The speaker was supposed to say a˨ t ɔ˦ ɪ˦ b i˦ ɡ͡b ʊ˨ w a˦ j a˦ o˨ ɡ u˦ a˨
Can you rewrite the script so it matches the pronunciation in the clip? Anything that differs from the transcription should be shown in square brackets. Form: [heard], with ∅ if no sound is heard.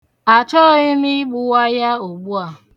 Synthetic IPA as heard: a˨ [t͡ʃ] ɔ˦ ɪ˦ [m] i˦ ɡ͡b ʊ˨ w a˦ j a˦ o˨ [ɡ͡b] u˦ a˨